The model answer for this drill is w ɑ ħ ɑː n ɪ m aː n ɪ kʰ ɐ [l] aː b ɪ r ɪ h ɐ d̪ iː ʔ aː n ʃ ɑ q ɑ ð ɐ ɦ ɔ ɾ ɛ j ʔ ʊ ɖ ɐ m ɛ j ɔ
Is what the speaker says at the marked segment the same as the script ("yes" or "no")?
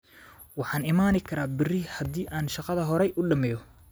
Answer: no